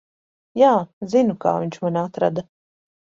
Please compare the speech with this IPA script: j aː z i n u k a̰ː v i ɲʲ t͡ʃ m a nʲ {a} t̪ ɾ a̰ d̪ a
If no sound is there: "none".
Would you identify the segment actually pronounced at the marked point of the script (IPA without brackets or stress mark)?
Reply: a